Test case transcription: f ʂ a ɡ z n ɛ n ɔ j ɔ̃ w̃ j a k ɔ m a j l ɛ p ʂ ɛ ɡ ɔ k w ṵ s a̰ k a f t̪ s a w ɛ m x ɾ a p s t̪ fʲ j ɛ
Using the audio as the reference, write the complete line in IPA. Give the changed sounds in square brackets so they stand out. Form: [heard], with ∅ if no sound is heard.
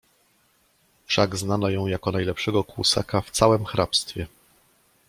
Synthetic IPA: f ʂ a ɡ z n [a] n ɔ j ɔ̃ w̃ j a k ɔ [n] a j l ɛ p ʂ ɛ ɡ ɔ k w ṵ s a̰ k a f t̪ s a w ɛ m x ɾ a p s t̪ fʲ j ɛ